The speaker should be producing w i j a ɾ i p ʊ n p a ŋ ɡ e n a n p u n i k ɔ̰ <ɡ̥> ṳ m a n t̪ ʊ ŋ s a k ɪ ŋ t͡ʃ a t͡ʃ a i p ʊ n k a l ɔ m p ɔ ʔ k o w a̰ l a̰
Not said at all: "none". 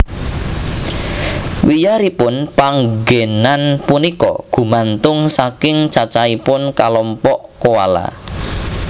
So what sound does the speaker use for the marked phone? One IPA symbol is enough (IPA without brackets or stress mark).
ɡ̥